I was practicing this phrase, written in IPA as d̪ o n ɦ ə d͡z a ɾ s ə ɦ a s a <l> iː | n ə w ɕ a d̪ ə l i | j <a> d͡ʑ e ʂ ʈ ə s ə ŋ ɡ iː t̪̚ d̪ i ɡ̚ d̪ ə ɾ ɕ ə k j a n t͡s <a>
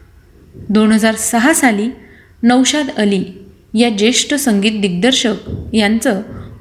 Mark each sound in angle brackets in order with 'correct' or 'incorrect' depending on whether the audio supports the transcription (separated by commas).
correct, correct, incorrect